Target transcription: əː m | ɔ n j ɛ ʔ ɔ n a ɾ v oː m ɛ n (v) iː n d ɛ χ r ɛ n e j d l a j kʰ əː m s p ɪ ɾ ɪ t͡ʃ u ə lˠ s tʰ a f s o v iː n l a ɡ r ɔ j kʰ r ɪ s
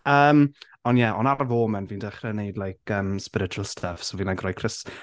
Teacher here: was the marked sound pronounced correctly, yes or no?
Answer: yes